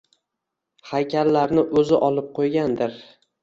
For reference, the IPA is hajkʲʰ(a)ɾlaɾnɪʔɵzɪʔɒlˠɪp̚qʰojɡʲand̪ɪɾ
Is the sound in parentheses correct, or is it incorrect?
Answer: correct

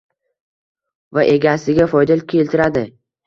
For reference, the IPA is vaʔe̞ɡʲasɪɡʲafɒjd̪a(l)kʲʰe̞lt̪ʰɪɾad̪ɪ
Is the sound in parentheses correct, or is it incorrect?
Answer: correct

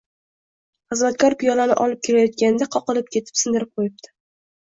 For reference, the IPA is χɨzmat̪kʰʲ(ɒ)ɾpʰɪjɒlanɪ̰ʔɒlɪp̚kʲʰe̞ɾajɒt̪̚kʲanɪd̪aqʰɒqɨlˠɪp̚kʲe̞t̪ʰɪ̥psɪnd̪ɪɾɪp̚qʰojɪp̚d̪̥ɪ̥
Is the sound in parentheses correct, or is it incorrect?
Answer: correct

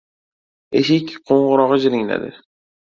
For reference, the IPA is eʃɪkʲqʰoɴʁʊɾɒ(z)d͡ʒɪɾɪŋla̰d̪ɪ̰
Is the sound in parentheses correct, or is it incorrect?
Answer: incorrect: ʁ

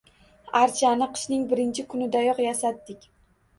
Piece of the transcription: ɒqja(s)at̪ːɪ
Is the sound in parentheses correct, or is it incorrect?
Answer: correct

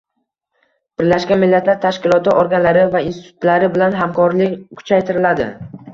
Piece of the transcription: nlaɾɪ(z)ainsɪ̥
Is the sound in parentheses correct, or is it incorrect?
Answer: incorrect: v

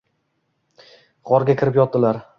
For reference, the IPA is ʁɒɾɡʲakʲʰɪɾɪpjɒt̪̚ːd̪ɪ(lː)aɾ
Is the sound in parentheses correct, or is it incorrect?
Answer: incorrect: l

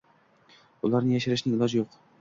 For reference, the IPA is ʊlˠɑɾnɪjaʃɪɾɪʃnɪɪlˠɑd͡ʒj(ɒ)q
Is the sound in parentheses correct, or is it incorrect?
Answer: incorrect: o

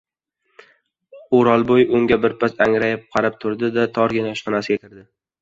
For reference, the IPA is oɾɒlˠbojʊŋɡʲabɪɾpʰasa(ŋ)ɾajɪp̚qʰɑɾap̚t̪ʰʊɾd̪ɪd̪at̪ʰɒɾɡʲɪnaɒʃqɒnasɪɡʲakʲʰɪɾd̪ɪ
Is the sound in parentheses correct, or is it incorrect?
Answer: correct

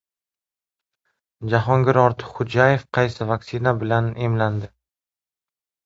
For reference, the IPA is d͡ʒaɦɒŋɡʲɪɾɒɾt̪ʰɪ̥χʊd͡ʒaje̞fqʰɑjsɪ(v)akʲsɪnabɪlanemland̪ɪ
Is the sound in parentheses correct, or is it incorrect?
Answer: correct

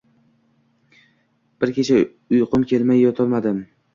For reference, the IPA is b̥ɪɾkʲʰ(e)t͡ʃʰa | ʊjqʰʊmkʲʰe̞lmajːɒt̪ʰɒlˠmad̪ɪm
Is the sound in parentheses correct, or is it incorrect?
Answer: correct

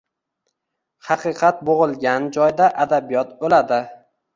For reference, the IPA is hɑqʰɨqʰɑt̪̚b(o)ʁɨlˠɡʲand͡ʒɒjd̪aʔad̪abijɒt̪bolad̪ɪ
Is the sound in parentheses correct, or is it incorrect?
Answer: correct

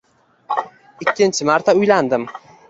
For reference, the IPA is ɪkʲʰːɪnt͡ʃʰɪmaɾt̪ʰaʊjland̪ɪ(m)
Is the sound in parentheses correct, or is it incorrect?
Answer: correct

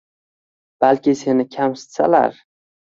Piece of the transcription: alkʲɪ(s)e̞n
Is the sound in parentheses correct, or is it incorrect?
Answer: correct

